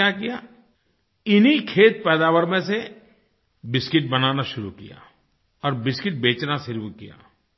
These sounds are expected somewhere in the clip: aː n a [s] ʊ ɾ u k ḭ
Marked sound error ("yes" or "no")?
yes